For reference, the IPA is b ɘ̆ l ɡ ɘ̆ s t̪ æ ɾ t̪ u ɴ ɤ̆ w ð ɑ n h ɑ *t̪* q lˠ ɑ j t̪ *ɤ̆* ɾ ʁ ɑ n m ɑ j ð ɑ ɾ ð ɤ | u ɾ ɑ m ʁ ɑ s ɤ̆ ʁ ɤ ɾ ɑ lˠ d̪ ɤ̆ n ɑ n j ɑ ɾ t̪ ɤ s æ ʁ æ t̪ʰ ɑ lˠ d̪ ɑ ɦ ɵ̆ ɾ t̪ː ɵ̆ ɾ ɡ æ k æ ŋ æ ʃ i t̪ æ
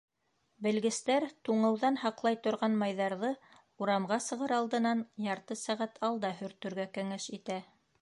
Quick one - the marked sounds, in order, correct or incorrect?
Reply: incorrect: none, incorrect: ŏ

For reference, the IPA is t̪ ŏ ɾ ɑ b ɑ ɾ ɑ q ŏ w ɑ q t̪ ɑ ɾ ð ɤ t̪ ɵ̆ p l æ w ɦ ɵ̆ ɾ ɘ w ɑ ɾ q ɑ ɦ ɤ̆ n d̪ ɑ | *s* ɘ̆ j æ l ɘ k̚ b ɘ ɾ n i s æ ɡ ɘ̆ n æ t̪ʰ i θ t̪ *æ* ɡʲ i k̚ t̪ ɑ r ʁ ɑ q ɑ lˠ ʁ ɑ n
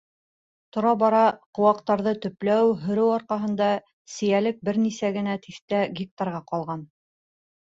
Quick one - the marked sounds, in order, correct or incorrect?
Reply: correct, correct

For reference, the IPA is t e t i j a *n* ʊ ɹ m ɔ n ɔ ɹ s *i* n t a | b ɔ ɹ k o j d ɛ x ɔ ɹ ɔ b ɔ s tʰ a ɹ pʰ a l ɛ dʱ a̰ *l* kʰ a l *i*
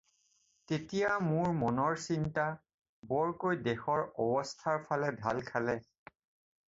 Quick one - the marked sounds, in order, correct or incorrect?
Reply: incorrect: m, correct, correct, incorrect: ɛ

